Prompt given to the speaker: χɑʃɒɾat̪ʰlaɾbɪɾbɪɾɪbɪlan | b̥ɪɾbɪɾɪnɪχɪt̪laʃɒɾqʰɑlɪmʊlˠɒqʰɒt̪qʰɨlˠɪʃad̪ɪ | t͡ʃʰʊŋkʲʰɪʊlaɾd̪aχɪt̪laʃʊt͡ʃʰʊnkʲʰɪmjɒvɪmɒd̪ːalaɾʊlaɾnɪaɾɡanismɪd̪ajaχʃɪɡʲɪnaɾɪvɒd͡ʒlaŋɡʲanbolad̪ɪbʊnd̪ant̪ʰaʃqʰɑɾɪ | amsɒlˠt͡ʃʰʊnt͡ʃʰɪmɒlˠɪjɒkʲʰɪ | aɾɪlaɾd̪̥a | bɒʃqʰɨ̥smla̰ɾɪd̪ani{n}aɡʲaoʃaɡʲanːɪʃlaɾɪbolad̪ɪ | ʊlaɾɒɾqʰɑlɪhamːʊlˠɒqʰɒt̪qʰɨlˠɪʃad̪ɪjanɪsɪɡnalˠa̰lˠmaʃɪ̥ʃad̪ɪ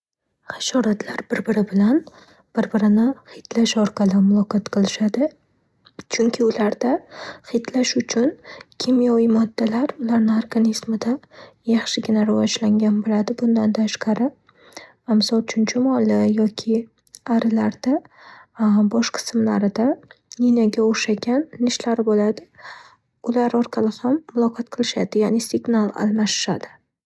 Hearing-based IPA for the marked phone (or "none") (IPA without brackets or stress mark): n